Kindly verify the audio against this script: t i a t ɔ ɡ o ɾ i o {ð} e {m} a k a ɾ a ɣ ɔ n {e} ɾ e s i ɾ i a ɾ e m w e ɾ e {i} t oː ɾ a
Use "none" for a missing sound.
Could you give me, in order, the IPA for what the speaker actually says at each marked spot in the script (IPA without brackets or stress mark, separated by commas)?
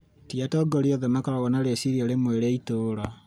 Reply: ð, m, a, i